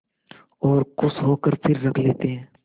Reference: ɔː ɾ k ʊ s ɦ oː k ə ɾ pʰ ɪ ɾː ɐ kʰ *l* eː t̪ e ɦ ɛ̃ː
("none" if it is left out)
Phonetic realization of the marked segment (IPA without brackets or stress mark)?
l